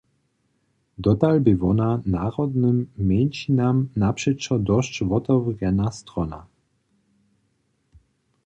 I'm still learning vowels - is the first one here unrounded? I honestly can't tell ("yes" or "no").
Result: no